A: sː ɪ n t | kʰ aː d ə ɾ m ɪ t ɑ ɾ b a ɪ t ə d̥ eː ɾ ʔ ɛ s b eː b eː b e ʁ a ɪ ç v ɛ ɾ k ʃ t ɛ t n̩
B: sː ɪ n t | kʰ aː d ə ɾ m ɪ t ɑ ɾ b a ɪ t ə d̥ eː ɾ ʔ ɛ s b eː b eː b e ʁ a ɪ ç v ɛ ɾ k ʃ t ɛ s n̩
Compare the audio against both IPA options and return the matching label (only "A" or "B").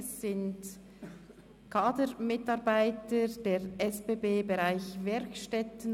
A